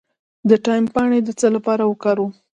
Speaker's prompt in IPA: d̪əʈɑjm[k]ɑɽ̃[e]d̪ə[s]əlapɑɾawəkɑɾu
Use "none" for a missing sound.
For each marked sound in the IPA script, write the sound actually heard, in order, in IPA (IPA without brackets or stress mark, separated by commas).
p, e, t͡s